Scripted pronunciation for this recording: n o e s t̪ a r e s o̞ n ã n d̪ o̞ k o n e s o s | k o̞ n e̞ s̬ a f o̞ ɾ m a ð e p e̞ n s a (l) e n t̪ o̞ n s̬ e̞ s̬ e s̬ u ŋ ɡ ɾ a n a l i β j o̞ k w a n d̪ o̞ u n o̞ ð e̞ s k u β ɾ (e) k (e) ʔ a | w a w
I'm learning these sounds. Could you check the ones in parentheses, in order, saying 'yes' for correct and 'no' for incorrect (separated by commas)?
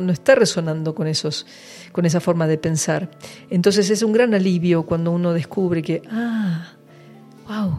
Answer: no, yes, yes